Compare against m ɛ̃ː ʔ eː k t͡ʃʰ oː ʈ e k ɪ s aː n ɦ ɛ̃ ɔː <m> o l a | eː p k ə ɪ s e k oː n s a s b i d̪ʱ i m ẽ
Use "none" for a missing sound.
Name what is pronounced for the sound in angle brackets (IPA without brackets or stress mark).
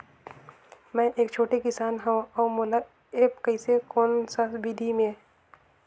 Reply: m